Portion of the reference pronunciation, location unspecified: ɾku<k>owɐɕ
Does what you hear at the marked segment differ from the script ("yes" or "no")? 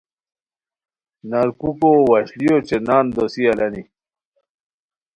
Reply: no